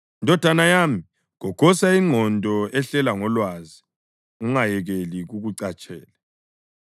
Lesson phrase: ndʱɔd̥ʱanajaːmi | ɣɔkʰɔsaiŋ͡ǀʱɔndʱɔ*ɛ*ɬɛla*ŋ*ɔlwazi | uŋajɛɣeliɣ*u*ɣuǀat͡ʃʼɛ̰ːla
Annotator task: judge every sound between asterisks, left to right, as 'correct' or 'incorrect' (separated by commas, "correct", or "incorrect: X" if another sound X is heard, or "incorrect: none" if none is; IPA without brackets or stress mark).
correct, correct, correct